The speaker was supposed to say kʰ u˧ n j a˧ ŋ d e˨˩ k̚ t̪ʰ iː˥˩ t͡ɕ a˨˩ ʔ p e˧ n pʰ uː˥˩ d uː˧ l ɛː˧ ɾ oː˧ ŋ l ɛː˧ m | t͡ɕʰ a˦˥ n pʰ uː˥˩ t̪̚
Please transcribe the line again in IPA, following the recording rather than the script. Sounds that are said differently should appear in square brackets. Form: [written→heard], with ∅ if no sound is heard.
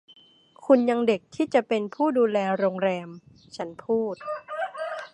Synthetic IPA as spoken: kʰ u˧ n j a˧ ŋ d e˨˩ k̚ t̪ʰ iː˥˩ t͡ɕ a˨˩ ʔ p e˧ n pʰ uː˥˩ d uː˧ l ɛː˧ ɾ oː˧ ŋ [l→ɾ] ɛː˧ m | t͡ɕʰ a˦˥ n pʰ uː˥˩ t̪̚

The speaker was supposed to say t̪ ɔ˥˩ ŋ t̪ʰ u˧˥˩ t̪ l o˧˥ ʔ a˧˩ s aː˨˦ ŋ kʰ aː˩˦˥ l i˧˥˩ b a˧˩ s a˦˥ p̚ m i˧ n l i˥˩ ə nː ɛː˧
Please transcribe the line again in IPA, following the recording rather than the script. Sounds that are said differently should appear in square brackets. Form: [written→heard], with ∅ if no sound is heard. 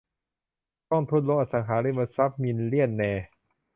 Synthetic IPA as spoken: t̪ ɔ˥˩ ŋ t̪ʰ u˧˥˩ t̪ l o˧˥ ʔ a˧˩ s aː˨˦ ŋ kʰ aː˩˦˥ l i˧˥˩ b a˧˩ s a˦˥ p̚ m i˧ n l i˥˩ ə nː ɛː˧

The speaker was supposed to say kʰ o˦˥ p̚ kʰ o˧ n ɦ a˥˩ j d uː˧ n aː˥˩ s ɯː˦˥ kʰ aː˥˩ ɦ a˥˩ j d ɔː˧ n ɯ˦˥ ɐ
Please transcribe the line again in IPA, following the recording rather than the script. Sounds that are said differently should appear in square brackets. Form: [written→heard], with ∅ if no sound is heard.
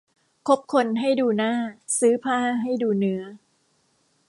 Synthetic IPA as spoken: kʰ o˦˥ p̚ kʰ o˧ n ɦ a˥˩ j d uː˧ n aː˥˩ s ɯː˦˥ [kʰ→pʰ] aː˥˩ ɦ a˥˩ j d [ɔː˧→uː˧] n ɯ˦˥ ɐ

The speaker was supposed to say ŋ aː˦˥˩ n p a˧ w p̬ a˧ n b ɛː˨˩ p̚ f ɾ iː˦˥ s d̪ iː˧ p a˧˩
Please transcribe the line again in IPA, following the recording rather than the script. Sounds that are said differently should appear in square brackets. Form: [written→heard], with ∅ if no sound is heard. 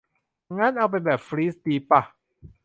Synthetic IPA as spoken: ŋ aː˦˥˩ n [p→ʔ] a˧ w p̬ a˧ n b ɛː˨˩ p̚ f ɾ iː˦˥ s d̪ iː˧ p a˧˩

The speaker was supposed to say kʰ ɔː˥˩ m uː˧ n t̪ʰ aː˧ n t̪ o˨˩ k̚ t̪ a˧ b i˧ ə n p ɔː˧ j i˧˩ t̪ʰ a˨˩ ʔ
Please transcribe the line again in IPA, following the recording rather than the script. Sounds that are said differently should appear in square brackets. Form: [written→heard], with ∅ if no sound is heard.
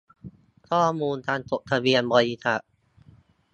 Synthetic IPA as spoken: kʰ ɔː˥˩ m uː˧ n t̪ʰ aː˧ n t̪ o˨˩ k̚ [t̪→t̪ʰ] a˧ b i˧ ə n [p→b] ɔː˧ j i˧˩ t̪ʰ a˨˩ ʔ

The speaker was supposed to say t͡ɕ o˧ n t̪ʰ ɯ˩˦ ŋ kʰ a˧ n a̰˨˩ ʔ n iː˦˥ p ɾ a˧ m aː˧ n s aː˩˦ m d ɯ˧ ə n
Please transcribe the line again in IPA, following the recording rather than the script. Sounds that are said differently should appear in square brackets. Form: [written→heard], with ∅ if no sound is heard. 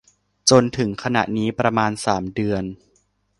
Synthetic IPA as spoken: t͡ɕ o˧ n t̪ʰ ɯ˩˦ ŋ kʰ a˧ n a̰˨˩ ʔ n iː˦˥ p ɾ a˧ m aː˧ n s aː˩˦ m d ɯ˧ ə n

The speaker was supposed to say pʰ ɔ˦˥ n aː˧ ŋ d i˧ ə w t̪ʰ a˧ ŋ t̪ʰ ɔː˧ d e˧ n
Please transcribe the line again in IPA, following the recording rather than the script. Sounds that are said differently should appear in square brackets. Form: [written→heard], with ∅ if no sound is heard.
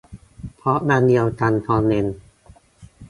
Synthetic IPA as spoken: pʰ ɔ˦˥ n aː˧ [ŋ→n] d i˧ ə w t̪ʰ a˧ [ŋ→n] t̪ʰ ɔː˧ [d→n] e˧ n

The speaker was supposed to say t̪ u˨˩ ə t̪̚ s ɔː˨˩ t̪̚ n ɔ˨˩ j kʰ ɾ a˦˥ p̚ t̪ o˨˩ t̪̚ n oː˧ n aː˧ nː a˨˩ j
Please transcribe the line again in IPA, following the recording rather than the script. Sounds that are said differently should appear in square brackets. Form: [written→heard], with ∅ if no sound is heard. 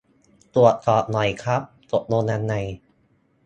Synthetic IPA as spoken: t̪ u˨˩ ə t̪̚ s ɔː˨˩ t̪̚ n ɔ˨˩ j kʰ ɾ a˦˥ p̚ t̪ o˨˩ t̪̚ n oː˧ n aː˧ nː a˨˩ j

